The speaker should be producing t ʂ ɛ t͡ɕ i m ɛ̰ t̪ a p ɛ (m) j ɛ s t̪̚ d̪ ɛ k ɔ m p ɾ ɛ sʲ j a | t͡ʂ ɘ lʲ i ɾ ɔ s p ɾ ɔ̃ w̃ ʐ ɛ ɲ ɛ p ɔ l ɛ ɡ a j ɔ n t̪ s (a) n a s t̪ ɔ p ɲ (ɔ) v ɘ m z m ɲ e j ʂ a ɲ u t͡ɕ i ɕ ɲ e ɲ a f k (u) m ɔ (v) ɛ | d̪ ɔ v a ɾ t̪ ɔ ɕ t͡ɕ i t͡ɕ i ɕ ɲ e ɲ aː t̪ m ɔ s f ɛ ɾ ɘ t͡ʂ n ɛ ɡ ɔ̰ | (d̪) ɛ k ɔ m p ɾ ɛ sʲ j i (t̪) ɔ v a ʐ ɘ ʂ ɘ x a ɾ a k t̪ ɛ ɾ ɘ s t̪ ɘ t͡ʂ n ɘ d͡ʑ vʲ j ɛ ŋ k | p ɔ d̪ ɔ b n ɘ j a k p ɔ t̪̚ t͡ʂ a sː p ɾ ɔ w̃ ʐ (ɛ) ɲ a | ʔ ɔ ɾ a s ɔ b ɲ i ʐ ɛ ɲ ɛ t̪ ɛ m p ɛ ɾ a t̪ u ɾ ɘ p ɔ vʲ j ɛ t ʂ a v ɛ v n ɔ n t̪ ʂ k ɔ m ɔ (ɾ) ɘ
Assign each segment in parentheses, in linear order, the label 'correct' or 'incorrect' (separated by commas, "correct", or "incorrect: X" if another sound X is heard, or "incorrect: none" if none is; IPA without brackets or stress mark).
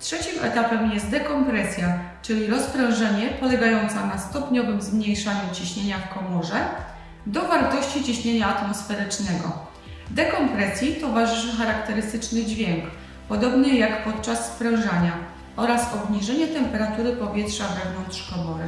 correct, correct, correct, incorrect: ɔ, incorrect: ʐ, correct, correct, incorrect: a, correct